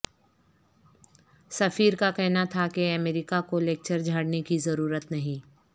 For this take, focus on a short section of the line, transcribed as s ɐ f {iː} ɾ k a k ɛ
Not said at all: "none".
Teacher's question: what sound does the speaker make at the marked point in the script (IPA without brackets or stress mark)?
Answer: iː